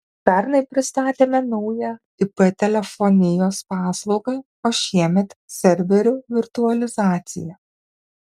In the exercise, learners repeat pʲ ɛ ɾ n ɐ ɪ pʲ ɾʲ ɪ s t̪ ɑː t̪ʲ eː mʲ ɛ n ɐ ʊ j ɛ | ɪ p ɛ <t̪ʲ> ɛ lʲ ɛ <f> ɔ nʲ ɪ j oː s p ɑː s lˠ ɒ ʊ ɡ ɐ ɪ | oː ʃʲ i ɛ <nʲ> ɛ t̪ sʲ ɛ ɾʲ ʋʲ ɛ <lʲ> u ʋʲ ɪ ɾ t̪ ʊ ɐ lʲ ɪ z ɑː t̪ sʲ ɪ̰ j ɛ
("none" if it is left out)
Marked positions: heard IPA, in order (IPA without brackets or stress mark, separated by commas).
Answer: t̪ʲ, f, mʲ, ɾʲ